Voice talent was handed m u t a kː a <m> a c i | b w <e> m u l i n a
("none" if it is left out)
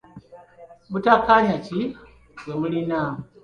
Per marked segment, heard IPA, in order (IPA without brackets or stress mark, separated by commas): ɲ, e